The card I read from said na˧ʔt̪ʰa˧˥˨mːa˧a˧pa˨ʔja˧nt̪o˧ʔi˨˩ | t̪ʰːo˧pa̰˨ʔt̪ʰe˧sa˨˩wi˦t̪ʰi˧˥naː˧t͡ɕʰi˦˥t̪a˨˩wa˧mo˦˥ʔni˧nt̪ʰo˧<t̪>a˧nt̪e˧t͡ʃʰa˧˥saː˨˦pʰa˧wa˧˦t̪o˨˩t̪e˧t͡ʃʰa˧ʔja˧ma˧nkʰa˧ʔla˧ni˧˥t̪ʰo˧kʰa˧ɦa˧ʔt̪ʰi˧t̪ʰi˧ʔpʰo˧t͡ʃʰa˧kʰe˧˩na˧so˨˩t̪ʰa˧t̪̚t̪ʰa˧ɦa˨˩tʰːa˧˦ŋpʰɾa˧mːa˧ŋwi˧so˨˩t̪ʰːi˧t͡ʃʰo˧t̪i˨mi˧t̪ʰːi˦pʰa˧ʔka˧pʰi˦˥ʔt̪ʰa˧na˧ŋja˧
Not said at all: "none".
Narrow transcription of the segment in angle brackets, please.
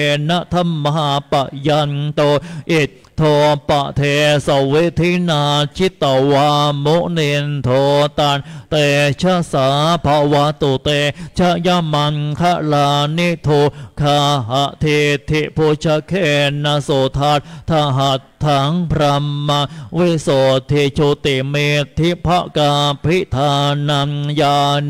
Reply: t̪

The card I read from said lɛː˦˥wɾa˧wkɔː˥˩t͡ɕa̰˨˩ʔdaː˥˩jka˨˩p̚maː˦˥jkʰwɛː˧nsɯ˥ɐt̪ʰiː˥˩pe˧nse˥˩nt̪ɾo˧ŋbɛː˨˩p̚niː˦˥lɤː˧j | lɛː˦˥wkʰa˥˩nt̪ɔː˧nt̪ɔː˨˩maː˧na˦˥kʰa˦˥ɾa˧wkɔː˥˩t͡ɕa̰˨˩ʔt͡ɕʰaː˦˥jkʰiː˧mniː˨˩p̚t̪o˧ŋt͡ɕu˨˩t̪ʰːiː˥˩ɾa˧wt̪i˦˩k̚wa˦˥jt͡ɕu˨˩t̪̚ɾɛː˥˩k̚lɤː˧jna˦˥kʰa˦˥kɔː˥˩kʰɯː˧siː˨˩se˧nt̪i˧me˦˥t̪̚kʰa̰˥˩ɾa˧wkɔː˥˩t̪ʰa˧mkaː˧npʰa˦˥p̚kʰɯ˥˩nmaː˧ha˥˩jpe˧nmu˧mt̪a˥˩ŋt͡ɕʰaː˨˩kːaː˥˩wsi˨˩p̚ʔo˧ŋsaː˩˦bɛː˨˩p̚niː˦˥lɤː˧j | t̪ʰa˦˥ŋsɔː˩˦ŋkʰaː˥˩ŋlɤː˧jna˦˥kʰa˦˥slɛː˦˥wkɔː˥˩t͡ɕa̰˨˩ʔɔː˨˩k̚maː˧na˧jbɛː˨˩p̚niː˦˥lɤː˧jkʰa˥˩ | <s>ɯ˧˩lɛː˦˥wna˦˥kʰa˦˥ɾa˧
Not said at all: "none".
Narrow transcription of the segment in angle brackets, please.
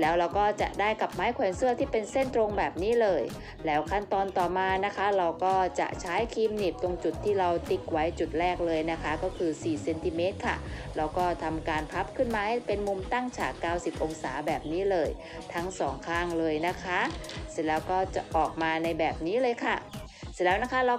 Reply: s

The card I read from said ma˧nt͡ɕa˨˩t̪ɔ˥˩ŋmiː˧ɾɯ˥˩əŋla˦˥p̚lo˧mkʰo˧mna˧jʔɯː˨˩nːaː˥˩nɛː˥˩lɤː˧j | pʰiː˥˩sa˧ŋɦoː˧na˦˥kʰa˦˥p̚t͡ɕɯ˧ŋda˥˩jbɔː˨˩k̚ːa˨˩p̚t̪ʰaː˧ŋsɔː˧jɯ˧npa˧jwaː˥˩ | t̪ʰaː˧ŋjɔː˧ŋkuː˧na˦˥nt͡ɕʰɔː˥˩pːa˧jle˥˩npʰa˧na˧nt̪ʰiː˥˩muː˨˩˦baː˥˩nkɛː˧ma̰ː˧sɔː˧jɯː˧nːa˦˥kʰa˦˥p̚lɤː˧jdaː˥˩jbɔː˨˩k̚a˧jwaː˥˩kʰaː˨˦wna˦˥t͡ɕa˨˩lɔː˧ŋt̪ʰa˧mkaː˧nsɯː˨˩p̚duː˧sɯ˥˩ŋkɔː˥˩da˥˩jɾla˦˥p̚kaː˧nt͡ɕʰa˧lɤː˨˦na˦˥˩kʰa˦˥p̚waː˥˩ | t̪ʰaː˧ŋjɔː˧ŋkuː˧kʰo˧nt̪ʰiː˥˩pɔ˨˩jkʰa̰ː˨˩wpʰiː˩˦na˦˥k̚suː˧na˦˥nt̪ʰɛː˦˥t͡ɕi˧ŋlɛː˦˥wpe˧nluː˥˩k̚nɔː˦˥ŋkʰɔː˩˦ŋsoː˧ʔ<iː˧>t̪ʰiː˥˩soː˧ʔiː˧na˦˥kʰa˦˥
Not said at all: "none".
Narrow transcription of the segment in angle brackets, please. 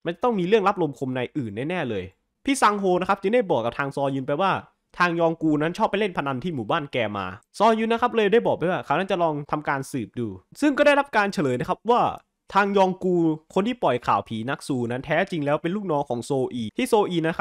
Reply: iː˧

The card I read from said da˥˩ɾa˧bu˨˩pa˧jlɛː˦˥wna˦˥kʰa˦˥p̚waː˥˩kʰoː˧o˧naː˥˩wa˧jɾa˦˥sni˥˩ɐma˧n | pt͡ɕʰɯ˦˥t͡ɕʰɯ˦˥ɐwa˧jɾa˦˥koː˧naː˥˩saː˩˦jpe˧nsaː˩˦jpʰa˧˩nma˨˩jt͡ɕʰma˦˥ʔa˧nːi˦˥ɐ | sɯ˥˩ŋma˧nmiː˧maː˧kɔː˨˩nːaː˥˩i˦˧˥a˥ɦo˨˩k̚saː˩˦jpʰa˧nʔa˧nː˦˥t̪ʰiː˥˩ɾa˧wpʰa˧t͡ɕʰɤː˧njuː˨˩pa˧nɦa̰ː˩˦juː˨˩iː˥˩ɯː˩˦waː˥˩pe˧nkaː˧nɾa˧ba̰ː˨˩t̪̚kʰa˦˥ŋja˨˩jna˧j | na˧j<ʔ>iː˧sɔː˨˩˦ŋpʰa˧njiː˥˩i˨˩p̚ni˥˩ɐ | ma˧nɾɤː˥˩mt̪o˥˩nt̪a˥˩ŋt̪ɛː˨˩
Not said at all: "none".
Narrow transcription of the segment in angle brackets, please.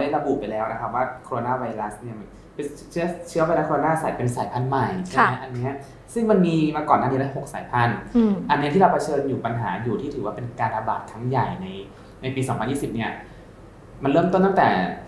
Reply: p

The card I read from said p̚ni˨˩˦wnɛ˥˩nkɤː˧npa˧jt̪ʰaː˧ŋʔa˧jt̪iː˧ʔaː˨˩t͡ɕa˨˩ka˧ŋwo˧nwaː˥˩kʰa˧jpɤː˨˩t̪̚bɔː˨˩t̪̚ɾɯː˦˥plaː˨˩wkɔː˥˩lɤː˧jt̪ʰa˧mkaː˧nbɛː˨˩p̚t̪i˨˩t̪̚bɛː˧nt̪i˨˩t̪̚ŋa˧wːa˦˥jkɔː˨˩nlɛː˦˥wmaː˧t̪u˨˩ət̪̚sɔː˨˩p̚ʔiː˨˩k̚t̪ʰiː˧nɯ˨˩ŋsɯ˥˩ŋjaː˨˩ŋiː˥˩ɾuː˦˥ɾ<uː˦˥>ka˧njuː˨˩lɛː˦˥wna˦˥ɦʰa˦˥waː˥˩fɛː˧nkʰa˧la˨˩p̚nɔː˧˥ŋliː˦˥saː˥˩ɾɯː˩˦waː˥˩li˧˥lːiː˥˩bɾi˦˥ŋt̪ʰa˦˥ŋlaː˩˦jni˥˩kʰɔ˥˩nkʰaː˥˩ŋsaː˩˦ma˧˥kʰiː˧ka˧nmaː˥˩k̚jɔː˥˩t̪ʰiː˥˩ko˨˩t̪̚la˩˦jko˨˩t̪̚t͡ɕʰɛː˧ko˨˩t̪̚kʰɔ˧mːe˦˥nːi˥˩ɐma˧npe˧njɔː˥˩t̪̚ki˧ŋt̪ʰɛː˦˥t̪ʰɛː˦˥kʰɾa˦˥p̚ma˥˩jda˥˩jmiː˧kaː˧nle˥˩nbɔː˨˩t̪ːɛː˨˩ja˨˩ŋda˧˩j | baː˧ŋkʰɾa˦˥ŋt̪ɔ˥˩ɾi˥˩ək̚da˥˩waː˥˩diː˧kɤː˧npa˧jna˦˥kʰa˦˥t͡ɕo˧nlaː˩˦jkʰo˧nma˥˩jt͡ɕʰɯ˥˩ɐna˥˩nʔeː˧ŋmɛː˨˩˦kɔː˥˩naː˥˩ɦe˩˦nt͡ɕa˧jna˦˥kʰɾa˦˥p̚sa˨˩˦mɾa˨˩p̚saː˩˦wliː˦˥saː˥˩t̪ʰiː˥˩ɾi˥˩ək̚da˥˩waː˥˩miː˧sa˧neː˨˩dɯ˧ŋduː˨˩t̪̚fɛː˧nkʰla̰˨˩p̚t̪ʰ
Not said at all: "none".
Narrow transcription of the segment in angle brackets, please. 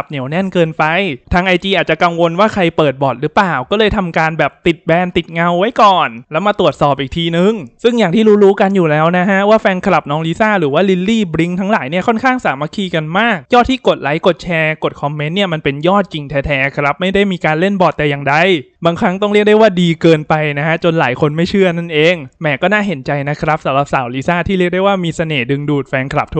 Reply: uː˦˥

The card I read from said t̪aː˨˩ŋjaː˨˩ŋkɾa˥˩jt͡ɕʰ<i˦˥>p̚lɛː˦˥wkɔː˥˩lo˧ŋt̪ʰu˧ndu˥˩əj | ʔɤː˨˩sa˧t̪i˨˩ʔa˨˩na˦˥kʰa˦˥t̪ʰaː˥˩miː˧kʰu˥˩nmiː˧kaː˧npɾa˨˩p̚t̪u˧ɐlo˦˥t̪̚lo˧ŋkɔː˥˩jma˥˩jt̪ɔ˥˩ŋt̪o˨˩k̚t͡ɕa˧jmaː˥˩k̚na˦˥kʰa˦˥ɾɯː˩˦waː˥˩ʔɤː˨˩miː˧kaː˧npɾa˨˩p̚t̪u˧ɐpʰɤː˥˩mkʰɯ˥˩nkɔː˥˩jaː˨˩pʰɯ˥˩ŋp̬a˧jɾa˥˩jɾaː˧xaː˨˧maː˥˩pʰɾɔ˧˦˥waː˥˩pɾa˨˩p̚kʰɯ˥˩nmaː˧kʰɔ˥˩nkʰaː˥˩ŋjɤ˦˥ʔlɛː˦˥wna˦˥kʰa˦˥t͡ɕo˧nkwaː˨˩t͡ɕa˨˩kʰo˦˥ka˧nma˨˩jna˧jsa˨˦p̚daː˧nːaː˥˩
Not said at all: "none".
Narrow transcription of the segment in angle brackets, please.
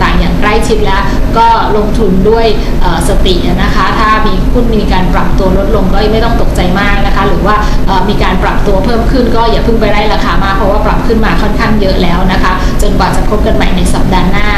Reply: i˦˥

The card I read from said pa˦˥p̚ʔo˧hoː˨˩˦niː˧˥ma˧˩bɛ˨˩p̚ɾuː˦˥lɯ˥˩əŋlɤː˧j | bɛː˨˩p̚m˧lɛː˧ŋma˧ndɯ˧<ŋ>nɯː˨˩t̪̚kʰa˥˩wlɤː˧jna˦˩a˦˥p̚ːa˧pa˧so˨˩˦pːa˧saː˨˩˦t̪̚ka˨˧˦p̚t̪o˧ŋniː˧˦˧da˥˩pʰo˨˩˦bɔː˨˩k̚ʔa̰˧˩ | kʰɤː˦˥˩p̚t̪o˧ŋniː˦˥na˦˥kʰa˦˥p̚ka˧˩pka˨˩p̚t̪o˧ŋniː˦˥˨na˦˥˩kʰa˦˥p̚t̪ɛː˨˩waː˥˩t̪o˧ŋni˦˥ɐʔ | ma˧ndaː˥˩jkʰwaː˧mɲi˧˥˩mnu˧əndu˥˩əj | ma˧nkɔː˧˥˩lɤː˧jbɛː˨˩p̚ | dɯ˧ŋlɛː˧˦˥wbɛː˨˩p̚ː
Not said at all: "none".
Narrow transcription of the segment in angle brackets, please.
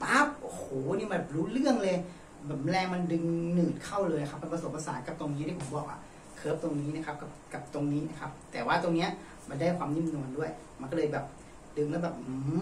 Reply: ŋ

